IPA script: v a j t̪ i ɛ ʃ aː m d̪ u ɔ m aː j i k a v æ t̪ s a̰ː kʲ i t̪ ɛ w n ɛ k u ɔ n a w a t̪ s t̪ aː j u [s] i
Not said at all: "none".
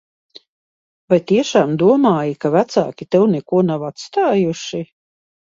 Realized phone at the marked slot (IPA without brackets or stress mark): ʃ